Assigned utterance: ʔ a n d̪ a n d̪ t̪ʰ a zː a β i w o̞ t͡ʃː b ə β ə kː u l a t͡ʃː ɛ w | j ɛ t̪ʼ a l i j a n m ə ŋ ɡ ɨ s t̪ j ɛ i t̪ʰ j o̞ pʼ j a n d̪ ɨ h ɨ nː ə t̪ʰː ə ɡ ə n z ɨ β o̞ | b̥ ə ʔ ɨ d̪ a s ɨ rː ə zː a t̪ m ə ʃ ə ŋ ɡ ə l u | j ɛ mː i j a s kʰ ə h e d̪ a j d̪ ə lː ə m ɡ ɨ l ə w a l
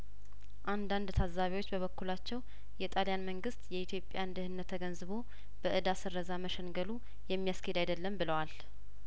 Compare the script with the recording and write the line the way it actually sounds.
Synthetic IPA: ʔ a n d̪ a n d̪ t̪ʰ a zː a β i w o̞ t͡ʃː b ə β ə kː u l a t͡ʃː ɛ w | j ɛ t̪ʼ a l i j a n m ə ŋ ɡ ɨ s t̪ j ɛ i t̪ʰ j o̞ pʼ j a n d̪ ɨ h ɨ nː ə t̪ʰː ə ɡ ə n z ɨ β o̞ | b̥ ə ʔ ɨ d̪ a s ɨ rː ə z a m ə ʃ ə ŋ ɡ ə l u | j ɛ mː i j a s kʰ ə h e d̪ a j d̪ ə lː ə m b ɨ l ə w a l